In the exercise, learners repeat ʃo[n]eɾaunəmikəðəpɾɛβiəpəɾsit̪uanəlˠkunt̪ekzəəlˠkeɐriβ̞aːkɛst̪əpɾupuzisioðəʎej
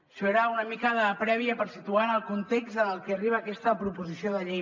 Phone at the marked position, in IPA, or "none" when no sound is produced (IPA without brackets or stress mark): none